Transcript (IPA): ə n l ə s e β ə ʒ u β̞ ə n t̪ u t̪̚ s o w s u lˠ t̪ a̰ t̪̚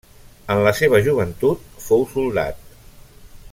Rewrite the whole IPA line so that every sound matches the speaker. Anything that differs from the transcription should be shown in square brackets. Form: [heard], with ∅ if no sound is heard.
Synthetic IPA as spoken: ə n l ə s e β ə ʒ u β̞ ə n t̪ u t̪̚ [f] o w s u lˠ [d̪] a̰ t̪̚